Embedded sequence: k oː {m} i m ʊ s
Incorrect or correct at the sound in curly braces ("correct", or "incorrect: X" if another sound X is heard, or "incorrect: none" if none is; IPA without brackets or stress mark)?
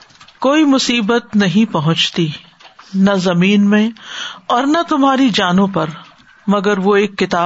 incorrect: none